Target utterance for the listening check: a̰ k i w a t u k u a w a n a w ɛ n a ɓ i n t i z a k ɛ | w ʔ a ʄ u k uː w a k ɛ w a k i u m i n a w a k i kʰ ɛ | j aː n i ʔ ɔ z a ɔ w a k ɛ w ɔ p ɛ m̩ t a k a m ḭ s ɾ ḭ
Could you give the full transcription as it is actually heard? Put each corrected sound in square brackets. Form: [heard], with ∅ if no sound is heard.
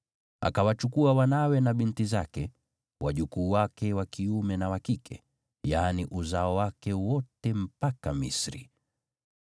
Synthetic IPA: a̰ k [a] w a [t͡ʃ] u k u a w a n a w ɛ n a ɓ i n t i z a k ɛ | w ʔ a ʄ u k uː w a k ɛ w a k i u m [ɛ] n a w a k i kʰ ɛ | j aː n i ʔ [u] z a ɔ w a k ɛ w ɔ [t] ɛ m̩ [p] a k a m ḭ s ɾ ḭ